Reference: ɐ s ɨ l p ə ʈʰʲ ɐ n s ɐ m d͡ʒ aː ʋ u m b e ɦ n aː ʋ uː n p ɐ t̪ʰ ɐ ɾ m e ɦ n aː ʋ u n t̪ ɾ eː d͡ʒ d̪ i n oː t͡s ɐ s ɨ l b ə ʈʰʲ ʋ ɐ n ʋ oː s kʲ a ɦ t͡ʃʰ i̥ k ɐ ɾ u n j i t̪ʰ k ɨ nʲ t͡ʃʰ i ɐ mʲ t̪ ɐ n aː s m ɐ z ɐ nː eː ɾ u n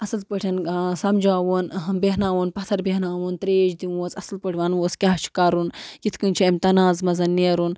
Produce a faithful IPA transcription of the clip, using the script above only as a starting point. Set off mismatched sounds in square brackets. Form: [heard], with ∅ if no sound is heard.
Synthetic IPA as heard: ɐ s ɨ l p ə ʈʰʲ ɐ n s ɐ m d͡ʒ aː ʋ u [n] b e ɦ n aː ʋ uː n p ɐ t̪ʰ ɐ ɾ [b] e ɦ n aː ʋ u n t̪ ɾ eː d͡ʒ d̪ i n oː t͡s ɐ s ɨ l [p] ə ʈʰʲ ʋ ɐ n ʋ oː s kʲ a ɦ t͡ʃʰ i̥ k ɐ ɾ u n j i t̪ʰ k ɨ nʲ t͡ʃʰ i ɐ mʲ t̪ ɐ n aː [z] m ɐ z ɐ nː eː ɾ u n